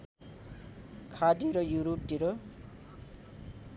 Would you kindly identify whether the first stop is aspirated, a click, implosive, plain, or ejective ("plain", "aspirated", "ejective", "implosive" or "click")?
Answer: aspirated